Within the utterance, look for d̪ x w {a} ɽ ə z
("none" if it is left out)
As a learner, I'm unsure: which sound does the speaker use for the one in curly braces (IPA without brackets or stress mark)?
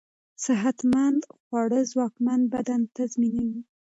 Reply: ɑ